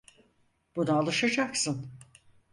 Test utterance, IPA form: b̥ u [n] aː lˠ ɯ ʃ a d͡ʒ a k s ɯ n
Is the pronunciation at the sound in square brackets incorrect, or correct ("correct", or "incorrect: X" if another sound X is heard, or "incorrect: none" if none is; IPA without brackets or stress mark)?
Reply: correct